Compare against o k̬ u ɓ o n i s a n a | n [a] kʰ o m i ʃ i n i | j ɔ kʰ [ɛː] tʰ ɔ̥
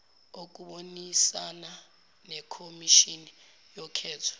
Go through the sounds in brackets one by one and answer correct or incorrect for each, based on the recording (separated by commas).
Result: incorrect, correct